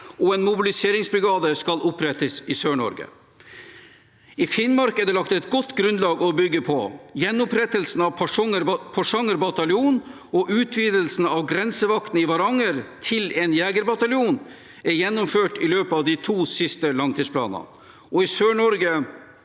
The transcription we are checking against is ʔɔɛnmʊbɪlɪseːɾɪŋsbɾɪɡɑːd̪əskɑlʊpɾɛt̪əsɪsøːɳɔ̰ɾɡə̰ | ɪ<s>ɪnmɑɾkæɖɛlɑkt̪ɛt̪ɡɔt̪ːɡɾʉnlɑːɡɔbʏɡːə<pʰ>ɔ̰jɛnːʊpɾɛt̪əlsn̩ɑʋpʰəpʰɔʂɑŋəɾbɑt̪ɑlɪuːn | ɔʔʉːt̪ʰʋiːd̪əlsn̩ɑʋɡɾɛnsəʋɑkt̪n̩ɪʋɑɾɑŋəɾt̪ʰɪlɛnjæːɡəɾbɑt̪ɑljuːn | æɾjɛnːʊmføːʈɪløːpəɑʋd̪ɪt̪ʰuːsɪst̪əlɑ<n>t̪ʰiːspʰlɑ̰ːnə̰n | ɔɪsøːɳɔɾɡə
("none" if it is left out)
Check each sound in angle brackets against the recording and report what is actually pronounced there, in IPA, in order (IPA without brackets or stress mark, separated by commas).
f, pʰ, ŋ